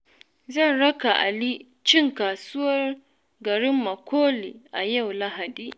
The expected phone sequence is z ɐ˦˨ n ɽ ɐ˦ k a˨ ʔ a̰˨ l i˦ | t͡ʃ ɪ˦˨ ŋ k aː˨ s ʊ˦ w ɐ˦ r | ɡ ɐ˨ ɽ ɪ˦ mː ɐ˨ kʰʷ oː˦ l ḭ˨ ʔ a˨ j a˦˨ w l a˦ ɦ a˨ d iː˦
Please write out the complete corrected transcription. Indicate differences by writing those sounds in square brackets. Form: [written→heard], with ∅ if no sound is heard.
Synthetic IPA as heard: z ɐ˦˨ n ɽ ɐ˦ k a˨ ʔ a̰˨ l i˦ | t͡ʃ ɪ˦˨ ŋ k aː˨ s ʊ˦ w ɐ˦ r | ɡ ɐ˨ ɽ ɪ˦ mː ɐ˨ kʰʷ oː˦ l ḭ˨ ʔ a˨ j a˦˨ w l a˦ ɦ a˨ d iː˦